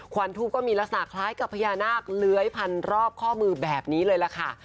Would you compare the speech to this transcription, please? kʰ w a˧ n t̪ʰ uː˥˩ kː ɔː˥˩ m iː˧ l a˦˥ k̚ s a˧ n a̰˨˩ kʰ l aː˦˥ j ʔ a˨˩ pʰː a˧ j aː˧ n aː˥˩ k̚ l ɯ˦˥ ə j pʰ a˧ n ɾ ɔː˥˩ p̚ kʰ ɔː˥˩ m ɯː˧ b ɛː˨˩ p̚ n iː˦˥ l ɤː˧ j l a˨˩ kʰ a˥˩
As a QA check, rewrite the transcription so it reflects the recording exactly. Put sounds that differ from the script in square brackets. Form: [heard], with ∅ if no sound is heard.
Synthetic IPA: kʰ w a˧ n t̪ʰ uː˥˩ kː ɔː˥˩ m iː˧ l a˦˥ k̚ s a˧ n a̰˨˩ kʰ l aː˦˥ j [k] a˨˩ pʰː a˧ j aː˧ n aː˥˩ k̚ l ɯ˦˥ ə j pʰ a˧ n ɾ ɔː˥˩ p̚ kʰ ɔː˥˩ m ɯː˧ b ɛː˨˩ p̚ n iː˦˥ l ɤː˧ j l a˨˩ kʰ a˥˩